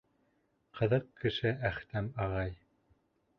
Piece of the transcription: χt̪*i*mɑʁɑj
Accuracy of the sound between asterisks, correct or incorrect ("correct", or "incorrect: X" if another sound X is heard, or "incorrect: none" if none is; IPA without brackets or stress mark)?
incorrect: æ